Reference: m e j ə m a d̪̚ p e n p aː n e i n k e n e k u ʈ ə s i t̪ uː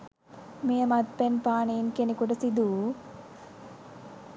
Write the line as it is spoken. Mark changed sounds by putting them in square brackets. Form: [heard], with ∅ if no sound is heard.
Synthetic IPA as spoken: m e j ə m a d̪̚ p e n p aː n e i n k e n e k u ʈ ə s i [d̪] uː

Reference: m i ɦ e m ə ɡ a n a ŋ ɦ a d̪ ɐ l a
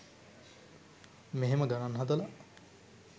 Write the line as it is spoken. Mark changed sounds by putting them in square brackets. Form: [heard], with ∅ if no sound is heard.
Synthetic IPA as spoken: m [e] ɦ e m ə ɡ a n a [n] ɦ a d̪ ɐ l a

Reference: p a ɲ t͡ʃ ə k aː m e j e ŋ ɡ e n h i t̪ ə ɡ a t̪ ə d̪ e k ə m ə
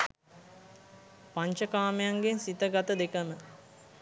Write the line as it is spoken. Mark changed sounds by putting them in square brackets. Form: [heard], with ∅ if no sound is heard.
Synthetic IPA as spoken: p a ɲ t͡ʃ ə k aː m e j [a] ŋ ɡ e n [s] i t̪ ə ɡ a t̪ ə d̪ e k ə m ə

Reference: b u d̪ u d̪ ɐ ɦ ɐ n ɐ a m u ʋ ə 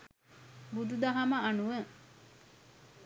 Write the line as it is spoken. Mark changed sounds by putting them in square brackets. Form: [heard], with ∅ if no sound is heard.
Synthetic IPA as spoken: b u d̪ u d̪ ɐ ɦ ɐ [m] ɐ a [n] u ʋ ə

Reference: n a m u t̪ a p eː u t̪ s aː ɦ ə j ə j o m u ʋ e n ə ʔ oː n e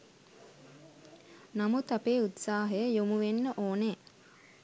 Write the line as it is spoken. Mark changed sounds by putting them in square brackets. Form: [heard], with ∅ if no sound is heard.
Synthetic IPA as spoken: n a m u t̪ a p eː u t̪ s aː ɦ ə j ə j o m u ʋ e [nː] ə ʔ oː n e

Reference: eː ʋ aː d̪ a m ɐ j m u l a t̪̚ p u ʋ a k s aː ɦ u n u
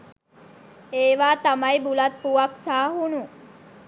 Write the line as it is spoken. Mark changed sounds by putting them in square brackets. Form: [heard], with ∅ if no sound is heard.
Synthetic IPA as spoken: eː ʋ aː [t̪] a m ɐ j [b] u l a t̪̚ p u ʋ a k s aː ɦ u n u

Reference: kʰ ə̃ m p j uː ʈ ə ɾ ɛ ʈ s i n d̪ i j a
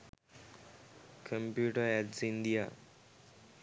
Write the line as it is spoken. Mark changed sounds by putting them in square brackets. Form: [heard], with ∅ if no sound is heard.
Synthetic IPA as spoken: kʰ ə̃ m p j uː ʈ ə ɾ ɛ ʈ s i n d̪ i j a

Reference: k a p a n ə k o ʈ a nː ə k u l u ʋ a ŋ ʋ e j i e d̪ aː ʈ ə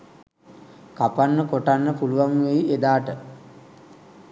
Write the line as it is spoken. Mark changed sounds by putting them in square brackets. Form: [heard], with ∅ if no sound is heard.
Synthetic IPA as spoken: k a p a [nː] ə k o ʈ a nː ə [p] u l u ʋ a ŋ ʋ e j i e d̪ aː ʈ ə

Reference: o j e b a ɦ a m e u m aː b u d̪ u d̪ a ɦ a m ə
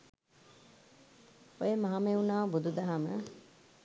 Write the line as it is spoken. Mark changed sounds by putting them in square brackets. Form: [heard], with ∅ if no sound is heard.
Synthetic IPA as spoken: o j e [m] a ɦ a m e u [n] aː b u d̪ u d̪ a ɦ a m ə

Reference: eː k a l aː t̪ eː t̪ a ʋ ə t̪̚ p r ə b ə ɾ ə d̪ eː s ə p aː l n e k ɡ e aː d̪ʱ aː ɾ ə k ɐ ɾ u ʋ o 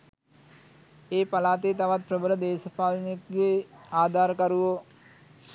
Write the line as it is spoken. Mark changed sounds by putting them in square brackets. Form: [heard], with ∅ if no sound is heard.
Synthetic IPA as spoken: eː [p] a l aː t̪ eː t̪ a ʋ [a] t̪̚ p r ə b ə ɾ ə d̪ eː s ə p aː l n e k ɡ e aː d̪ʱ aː ɾ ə k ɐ ɾ u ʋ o

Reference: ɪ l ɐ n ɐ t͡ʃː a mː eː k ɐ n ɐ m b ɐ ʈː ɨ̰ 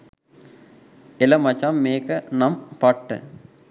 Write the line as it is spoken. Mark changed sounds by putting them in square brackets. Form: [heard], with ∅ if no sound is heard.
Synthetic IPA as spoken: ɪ l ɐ [m] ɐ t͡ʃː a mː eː k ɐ n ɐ m [p] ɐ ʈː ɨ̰

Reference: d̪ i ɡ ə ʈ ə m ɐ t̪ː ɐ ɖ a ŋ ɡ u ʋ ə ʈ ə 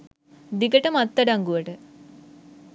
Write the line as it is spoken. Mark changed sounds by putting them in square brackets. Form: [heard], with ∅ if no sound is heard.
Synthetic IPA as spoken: d̪ i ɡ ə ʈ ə m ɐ t̪ː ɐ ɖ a ŋ ɡ u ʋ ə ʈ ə

